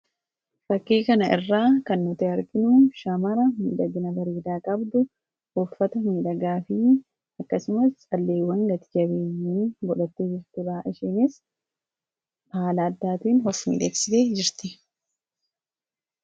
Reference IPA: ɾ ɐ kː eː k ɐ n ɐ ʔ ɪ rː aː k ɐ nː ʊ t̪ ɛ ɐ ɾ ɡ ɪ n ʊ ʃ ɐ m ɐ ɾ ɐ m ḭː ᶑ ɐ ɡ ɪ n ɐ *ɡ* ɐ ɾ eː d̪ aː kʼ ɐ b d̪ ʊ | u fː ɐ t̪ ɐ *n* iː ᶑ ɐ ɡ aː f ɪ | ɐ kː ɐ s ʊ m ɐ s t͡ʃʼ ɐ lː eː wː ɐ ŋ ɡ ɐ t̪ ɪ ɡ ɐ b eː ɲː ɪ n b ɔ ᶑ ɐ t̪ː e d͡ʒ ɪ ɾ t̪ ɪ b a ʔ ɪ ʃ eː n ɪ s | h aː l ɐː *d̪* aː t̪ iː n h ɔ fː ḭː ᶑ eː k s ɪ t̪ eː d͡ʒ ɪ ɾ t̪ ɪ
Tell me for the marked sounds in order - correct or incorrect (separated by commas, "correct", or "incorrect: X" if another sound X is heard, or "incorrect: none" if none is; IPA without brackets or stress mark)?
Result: incorrect: b, incorrect: m, incorrect: d̪ː